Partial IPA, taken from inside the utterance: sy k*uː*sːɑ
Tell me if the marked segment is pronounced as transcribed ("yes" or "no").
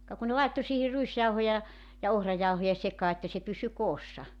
no